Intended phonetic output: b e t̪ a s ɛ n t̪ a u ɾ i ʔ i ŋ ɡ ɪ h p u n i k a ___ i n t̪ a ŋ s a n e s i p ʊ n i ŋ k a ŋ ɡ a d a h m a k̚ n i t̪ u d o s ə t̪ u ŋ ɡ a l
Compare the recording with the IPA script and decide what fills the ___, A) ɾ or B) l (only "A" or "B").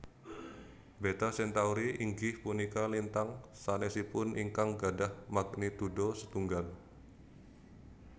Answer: B